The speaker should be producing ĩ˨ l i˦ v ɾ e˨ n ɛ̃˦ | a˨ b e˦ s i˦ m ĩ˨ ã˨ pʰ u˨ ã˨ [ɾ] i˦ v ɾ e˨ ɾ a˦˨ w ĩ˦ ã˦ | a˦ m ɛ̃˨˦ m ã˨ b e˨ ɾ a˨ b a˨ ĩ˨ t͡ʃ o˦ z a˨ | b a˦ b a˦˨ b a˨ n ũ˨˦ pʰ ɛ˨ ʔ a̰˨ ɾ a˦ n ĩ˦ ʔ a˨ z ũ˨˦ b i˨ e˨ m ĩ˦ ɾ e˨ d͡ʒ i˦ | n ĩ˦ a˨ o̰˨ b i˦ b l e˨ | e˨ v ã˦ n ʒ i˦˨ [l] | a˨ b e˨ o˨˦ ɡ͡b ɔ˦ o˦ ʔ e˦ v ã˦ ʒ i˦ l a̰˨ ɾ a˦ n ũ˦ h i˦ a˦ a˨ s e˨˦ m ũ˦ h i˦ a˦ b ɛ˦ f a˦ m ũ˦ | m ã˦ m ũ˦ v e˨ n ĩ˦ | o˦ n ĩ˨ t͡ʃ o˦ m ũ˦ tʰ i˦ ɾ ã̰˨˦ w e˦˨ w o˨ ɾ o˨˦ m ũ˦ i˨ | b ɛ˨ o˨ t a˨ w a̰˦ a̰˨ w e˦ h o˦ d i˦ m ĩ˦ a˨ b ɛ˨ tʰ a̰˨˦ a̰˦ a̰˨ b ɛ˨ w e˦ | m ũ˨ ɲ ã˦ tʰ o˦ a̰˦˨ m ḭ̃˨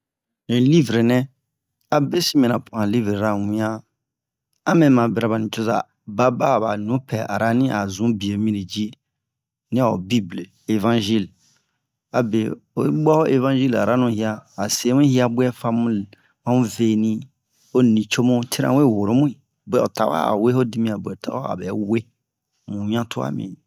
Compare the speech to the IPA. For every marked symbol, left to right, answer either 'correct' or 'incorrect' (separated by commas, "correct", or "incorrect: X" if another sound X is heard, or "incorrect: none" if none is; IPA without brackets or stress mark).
incorrect: l, correct